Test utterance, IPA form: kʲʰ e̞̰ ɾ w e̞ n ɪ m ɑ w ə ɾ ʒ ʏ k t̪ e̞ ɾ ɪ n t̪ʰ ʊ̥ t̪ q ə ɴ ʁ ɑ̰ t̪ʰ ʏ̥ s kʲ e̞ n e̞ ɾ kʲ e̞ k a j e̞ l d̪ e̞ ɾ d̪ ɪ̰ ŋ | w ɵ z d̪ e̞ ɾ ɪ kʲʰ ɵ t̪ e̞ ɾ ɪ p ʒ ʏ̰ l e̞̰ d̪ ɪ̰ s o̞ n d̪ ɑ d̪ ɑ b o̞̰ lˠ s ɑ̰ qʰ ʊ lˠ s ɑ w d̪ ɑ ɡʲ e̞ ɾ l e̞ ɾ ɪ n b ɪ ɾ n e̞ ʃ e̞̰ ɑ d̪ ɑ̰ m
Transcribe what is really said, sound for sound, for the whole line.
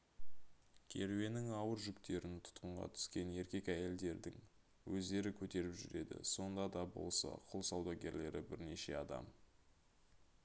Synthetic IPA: kʲʰ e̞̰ ɾ w e̞ n ɪ ŋ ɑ w ə ɾ ʒ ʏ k t̪ e̞ ɾ ɪ n t̪ʰ ʊ̥ t̪ q ə ɴ ʁ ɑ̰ t̪ʰ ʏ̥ s kʲ e̞ n e̞ ɾ kʲ e̞ k æ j e̞ l d̪ e̞ ɾ d̪ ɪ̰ ŋ | w ɵ z d̪ e̞ ɾ ɪ kʲʰ ɵ t̪ e̞ ɾ ɪ p ʒ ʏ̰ ɾ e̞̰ d̪ ɪ̰ s o̞ n d̪ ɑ d̪ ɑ b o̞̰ lˠ s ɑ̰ qʰ ʊ lˠ s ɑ w d̪ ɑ ɡʲ e̞ ɾ l e̞ ɾ ɪ b ɪ ɾ n e̞ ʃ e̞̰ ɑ d̪ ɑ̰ m